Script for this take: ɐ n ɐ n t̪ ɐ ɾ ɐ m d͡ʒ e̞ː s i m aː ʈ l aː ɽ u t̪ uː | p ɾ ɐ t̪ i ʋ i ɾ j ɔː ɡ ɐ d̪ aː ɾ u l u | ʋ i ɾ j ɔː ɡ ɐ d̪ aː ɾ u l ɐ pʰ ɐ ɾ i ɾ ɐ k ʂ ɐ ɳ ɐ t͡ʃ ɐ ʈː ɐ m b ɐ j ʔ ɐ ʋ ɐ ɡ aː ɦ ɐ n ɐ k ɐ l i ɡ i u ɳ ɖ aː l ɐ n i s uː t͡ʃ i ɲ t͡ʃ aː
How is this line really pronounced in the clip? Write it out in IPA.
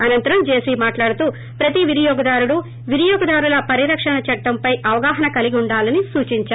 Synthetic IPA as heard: ɐ n ɐ n t̪ ɐ ɾ ɐ m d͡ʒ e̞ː s i m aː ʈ l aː ɽ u t̪ uː | p ɾ ɐ t̪ i ʋ i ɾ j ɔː ɡ ɐ d̪ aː ɾ u ɽ u | ʋ i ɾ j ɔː ɡ ɐ d̪ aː ɾ u l ɐ p ɐ ɾ i ɾ ɐ k ʂ ɐ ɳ ɐ t͡ʃ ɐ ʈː ɐ m p ɐ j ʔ ɐ ʋ ɐ ɡ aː ɦ ɐ n ɐ k ɐ l i ɡ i u ɳ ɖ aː l ɐ n i s uː t͡ʃ i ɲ t͡ʃ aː